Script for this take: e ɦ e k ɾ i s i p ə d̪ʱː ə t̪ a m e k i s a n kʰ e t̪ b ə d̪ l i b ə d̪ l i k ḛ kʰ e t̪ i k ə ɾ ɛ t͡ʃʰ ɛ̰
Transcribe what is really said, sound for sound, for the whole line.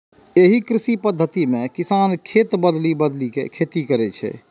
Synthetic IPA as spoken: e ɦ i k ɾ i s i p ə d̪ʱː ə t̪ i m e k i s a n kʰ e t̪ b ə d̪ l i b ə d̪ l i k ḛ kʰ e t̪ i k ə ɾ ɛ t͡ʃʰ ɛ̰